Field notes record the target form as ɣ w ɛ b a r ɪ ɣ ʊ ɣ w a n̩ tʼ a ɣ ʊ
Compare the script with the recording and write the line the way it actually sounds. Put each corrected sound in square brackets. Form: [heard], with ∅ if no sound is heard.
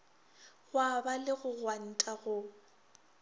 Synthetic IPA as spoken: ɣ w [a] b a [l] ɪ ɣ ʊ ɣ w a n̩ tʼ a ɣ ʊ